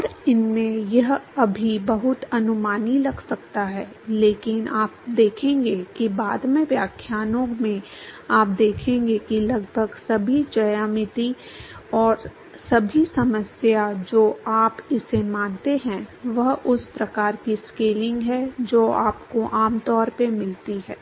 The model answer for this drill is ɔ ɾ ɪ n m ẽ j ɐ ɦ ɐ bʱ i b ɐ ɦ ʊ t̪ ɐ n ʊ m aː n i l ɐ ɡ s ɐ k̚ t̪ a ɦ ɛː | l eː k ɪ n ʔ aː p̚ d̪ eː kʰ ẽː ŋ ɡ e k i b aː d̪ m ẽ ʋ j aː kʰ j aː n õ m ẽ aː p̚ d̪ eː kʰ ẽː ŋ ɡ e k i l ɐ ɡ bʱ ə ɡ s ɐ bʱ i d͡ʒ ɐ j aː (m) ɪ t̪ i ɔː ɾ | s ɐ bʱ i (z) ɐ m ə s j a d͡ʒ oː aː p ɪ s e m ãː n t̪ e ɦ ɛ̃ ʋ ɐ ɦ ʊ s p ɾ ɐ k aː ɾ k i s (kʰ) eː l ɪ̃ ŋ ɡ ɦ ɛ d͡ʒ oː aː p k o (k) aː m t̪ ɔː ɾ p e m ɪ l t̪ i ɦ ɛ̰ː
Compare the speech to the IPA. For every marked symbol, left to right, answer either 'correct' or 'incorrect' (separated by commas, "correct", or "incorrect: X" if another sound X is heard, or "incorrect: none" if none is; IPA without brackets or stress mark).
correct, incorrect: s, incorrect: k, incorrect: ʔ